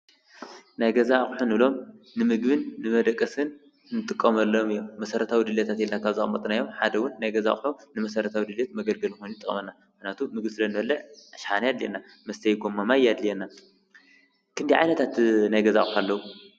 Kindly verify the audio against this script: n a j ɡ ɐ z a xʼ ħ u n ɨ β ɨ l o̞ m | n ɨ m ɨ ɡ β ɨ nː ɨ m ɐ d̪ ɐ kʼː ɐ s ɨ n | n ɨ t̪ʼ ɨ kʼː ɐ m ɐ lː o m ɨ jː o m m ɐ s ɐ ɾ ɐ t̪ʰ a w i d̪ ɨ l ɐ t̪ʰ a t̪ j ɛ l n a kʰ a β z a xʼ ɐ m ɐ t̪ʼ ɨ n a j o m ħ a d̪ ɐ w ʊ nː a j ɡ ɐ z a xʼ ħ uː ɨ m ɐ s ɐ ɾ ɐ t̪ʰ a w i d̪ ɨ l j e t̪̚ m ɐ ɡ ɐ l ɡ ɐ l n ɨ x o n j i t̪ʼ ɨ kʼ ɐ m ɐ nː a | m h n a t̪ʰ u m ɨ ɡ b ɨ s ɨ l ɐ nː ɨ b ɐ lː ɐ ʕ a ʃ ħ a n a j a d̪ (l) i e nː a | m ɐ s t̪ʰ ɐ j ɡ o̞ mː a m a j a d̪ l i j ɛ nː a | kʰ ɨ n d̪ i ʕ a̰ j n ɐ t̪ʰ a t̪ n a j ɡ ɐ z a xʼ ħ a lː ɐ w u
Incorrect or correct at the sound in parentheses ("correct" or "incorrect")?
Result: correct